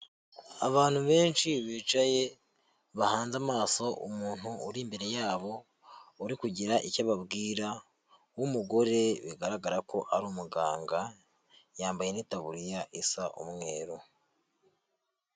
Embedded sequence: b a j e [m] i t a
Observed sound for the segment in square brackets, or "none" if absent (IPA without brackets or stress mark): n